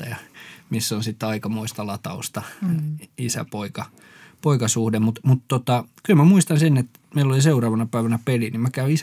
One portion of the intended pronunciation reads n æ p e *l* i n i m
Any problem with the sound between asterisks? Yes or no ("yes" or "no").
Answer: no